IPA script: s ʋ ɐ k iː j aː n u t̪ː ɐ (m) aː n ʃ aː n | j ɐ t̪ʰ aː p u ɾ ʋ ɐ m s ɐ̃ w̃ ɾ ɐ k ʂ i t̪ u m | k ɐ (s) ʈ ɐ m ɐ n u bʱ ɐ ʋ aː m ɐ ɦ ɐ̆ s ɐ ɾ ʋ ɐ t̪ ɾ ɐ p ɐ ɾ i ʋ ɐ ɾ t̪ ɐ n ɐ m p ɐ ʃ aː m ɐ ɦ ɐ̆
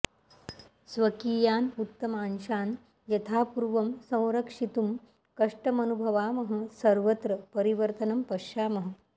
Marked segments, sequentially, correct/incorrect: correct, incorrect: ʂ

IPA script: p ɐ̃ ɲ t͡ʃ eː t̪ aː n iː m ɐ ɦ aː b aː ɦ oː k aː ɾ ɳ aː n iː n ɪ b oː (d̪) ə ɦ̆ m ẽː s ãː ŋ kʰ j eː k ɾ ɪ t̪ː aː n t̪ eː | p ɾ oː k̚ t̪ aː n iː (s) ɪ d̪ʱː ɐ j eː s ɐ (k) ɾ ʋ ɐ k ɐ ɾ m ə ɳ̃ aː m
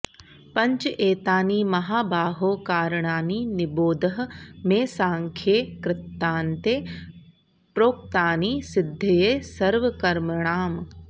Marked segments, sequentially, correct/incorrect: correct, correct, incorrect: none

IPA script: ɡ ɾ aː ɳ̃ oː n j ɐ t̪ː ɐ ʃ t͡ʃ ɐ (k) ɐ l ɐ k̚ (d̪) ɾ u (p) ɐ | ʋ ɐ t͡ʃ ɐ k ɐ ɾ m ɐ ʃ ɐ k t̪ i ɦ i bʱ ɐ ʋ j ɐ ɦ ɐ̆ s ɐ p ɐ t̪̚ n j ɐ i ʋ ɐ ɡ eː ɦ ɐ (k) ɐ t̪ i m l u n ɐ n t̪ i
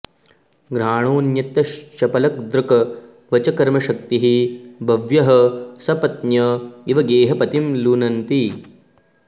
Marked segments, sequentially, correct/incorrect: incorrect: p, correct, incorrect: k, incorrect: p

